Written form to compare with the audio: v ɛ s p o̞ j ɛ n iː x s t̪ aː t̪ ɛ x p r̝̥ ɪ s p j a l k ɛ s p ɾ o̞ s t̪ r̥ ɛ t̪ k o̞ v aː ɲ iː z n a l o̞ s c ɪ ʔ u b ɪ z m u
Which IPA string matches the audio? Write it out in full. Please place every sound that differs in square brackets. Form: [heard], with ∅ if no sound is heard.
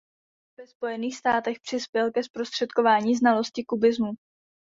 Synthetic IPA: v ɛ s p o̞ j ɛ n iː x s t̪ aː t̪ ɛ x p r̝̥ ɪ s p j [ɛ] l k ɛ s p ɾ o̞ s t̪ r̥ ɛ t̪ k o̞ v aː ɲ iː z n a l o̞ s c ɪ [k] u b ɪ z m u